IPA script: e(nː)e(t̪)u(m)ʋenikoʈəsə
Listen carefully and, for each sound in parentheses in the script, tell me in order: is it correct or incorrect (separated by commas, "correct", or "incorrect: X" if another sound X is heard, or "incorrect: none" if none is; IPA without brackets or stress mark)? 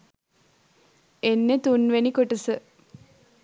correct, correct, incorrect: n